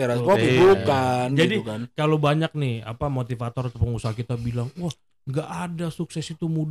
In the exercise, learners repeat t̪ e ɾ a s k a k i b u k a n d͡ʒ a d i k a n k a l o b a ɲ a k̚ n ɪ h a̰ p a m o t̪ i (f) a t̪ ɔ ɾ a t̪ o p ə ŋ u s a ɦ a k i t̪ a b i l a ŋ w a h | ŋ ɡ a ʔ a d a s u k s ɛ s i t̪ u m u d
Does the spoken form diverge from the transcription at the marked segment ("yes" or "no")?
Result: no